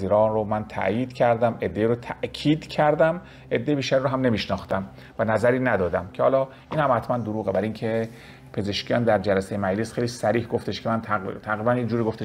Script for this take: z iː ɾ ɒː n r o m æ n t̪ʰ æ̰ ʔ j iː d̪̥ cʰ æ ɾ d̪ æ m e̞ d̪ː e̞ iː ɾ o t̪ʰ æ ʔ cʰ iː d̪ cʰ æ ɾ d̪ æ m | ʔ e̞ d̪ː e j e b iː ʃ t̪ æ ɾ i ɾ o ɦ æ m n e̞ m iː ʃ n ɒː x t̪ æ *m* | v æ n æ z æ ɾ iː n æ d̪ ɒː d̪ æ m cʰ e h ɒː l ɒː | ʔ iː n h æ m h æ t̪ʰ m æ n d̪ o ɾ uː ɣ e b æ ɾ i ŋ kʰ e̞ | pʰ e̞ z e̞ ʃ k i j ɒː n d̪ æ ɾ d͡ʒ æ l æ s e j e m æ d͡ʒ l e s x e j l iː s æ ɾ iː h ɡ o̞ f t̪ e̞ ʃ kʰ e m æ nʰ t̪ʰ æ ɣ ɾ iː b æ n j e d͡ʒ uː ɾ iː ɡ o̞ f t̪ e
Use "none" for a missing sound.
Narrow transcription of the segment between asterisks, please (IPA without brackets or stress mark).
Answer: m